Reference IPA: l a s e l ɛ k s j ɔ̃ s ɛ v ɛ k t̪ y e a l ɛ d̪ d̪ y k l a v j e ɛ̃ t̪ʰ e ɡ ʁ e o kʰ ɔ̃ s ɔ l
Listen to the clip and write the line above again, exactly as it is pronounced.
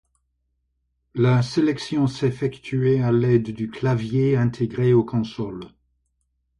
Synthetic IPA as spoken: l a s e l ɛ k s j ɔ̃ s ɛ f ɛ k t̪ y e a l ɛ d̪ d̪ y k l a v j e ɛ̃ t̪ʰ e ɡ ʁ e o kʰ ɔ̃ s ɔ l